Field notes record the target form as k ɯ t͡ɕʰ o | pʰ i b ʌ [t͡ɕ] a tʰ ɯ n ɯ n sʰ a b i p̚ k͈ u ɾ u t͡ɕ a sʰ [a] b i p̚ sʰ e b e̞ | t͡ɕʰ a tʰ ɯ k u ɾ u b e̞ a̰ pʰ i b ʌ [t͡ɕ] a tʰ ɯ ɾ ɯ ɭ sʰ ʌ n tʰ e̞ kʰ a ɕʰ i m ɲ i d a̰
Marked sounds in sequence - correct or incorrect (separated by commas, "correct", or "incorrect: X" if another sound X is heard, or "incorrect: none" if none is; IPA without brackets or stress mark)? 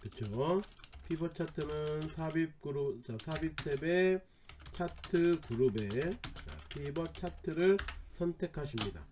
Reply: incorrect: t͡ɕʰ, correct, incorrect: t͡ɕʰ